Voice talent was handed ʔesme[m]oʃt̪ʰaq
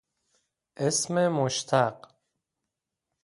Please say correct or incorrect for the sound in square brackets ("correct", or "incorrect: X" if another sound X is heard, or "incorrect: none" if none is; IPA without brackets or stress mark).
correct